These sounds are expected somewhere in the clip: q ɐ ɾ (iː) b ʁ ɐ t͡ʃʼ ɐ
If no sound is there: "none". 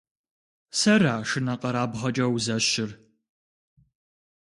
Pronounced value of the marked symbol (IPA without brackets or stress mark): aː